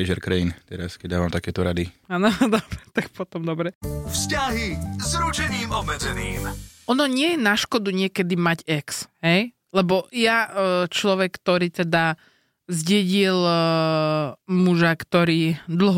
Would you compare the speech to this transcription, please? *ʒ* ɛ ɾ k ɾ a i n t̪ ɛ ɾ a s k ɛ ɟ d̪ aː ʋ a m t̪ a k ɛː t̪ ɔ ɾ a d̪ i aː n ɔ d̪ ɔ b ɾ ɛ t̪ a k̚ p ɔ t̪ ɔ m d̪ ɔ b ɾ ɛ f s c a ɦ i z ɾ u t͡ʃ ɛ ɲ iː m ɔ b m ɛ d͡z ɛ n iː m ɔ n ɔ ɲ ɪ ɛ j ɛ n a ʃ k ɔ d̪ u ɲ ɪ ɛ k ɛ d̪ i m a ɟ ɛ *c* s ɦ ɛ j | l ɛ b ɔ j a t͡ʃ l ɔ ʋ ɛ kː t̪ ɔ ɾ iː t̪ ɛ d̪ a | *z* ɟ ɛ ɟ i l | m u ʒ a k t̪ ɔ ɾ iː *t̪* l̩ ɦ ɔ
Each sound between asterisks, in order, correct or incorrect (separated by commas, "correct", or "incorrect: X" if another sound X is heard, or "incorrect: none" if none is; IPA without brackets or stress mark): correct, incorrect: k, correct, incorrect: d̪